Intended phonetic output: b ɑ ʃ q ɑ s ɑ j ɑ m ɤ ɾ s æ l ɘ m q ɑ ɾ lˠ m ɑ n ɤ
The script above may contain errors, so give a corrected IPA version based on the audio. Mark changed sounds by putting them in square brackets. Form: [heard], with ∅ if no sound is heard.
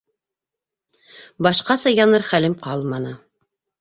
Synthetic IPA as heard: b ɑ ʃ q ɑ s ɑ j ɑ [n] ɤ ɾ [χ] æ l ɘ m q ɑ [∅] lˠ m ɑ n ɤ